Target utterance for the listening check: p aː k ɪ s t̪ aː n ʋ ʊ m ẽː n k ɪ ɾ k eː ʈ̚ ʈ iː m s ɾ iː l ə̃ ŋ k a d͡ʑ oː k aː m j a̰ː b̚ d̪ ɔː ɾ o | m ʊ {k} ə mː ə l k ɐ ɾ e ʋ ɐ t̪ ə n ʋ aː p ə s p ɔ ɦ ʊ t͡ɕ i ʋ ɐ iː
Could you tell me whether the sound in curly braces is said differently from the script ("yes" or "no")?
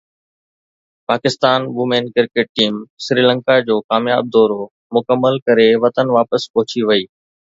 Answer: no